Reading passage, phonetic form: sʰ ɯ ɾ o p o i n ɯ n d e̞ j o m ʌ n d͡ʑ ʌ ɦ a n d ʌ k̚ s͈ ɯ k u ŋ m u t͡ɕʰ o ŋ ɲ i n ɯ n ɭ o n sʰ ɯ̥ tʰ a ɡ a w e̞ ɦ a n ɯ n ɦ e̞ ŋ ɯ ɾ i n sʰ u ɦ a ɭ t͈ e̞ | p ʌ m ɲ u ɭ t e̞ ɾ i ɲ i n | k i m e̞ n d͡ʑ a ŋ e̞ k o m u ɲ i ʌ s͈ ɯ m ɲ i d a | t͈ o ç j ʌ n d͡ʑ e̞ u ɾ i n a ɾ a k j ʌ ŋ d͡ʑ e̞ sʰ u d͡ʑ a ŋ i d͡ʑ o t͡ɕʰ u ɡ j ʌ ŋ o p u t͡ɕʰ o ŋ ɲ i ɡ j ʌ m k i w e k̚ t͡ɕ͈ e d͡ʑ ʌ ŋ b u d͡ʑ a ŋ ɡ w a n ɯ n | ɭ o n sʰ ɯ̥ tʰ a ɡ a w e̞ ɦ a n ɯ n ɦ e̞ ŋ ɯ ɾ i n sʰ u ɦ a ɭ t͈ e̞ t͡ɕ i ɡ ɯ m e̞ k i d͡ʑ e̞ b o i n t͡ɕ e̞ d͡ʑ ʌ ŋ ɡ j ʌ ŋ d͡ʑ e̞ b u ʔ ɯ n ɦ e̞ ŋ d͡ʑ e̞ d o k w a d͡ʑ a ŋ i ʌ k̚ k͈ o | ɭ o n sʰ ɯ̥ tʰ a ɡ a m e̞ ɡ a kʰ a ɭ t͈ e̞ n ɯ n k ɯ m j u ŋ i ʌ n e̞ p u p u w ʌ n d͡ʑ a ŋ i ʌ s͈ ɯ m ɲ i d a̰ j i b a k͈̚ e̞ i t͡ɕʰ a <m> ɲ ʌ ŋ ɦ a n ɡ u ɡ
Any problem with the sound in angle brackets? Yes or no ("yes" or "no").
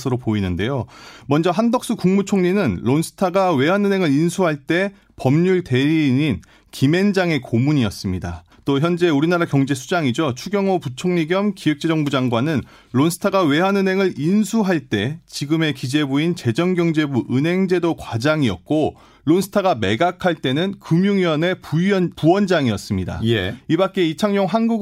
yes